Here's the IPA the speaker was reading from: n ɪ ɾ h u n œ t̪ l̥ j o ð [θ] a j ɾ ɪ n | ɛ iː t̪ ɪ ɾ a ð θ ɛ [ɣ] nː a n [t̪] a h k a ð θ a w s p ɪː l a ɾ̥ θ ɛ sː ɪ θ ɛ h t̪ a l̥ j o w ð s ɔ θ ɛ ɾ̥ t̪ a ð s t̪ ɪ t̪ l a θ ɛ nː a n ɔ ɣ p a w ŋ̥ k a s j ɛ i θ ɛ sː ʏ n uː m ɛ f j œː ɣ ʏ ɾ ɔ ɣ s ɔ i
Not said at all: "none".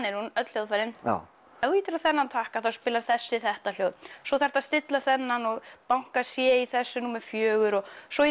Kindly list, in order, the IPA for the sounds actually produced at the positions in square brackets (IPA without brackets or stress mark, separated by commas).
f, none, t̪ʰ